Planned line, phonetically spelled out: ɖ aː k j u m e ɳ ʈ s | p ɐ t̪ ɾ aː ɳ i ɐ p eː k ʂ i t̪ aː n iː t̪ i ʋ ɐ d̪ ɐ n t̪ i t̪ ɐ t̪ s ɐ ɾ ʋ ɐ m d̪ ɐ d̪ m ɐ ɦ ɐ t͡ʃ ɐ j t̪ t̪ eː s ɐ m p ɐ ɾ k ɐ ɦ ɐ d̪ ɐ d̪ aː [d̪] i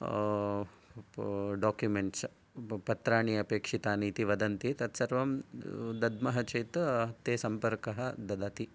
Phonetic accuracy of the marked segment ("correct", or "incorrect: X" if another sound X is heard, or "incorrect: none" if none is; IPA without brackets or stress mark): incorrect: t̪